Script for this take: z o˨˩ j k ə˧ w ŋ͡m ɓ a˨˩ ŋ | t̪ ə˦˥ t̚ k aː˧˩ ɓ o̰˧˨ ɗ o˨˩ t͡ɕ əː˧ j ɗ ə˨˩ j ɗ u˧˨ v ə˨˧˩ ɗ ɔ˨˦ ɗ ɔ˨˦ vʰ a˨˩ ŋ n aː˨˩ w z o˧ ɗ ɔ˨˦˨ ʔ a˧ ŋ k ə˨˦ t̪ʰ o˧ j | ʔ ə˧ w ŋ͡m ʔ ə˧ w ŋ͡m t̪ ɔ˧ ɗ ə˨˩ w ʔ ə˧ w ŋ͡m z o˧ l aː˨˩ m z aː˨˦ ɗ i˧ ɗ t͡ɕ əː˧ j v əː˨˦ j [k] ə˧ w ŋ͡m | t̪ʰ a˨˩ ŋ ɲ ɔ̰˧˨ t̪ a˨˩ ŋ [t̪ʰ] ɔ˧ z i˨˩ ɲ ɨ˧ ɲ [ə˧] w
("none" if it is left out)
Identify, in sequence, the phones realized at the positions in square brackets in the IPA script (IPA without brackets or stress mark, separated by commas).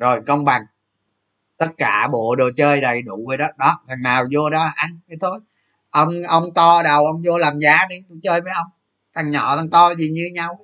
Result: ʔ, t̪, a˧